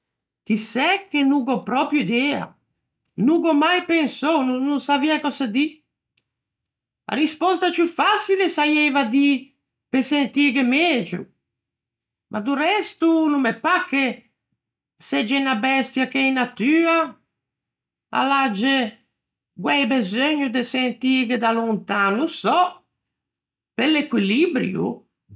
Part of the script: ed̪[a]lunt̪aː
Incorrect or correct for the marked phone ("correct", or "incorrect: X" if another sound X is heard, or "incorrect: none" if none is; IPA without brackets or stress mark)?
correct